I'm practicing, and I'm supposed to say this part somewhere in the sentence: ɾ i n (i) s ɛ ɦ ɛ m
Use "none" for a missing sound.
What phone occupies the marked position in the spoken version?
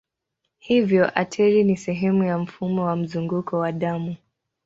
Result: i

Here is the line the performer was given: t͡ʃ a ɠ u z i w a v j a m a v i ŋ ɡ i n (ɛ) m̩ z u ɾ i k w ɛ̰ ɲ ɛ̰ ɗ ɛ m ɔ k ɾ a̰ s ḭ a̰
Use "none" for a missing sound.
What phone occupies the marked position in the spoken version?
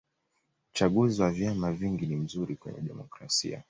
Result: i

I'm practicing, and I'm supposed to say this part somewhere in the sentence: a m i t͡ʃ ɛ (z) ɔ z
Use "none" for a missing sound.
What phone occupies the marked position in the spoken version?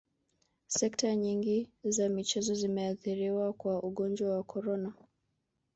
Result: z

